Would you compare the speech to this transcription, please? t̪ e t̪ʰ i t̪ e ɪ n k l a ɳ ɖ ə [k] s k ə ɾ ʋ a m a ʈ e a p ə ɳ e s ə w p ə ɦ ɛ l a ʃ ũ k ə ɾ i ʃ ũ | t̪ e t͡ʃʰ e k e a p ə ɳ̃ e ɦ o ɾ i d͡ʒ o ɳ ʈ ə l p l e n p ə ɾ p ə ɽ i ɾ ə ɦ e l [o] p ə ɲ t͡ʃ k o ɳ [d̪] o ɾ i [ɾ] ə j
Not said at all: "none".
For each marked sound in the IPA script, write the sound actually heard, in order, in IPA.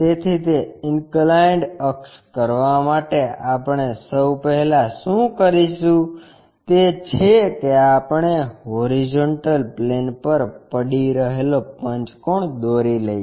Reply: k, o, d̪, l

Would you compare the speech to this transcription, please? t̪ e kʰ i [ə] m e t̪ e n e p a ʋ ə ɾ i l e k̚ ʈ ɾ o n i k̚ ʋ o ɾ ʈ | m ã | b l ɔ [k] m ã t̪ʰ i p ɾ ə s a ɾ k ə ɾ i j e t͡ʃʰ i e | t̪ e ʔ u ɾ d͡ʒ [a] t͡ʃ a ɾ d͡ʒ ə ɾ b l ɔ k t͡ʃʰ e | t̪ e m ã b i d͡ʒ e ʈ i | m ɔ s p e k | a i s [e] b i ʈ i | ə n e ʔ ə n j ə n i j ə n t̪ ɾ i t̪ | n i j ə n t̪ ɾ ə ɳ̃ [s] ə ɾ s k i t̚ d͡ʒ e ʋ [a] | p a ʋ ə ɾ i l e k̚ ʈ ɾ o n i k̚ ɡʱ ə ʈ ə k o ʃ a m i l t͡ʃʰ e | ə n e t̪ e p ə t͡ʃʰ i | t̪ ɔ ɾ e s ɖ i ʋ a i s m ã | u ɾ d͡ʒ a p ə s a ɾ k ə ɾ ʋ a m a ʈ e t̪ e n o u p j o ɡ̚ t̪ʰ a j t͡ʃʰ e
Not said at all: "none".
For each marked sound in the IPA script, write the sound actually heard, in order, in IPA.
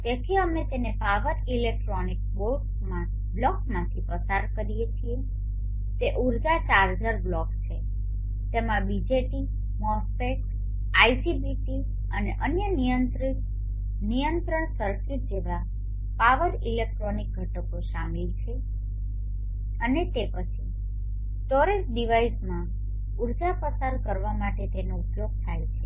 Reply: ə, k, a, i, s, a

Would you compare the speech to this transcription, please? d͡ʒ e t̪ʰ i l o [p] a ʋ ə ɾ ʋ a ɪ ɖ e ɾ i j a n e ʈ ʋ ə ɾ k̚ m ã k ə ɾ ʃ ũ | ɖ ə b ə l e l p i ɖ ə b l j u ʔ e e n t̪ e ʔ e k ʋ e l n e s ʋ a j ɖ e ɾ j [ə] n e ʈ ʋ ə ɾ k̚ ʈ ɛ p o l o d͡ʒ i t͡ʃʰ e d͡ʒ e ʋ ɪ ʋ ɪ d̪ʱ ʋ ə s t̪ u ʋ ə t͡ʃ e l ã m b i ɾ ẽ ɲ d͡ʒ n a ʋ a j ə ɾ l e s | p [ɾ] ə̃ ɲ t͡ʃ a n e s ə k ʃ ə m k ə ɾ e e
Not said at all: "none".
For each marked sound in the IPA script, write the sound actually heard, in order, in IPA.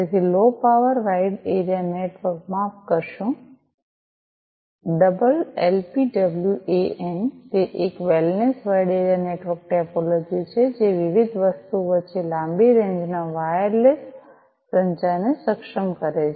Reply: p, a, ɾ

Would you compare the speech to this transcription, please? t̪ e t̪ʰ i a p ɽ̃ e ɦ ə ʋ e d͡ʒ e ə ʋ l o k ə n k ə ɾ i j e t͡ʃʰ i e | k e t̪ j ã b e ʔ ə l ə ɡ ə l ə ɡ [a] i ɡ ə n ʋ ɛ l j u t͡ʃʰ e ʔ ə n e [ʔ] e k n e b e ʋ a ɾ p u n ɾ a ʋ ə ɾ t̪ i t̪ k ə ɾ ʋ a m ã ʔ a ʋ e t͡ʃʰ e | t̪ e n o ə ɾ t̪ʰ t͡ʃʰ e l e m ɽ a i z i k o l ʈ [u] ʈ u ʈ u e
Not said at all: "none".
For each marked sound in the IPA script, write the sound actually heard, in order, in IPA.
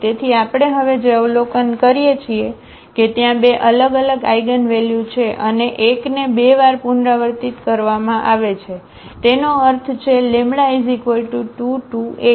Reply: a, ʔ, u

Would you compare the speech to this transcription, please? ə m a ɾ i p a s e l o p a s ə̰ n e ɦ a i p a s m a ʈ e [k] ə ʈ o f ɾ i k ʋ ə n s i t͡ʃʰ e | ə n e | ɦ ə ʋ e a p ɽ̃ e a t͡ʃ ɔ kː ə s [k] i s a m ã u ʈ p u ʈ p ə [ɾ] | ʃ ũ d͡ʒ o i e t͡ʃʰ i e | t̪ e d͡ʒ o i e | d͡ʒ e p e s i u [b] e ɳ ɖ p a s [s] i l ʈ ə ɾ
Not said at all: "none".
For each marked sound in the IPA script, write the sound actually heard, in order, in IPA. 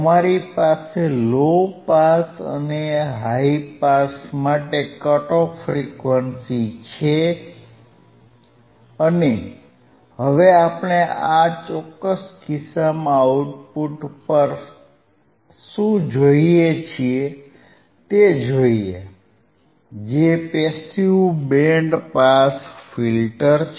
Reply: k, k, ɾ, b, f

